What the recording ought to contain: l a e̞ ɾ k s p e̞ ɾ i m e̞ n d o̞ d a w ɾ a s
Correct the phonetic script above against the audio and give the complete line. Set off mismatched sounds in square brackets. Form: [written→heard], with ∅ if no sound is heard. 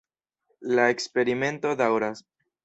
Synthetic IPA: l a e̞ [ɾ→∅] k s p e̞ ɾ i m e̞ n [d→t] o̞ d a w ɾ a s